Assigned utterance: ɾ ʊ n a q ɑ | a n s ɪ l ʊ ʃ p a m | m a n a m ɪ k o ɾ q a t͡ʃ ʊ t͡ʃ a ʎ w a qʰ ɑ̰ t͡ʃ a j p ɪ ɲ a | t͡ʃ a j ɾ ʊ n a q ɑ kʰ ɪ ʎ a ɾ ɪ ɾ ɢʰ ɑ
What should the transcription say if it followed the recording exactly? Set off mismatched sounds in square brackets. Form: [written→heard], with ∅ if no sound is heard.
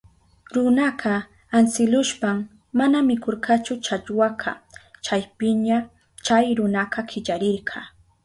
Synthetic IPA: ɾ ʊ n a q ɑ | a n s ɪ l ʊ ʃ p a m | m a n a m ɪ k o ɾ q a t͡ʃ ʊ t͡ʃ a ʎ w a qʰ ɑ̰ t͡ʃ a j p ɪ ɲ a | t͡ʃ a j ɾ ʊ n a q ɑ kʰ ɪ ʎ a ɾ ɪ ɾ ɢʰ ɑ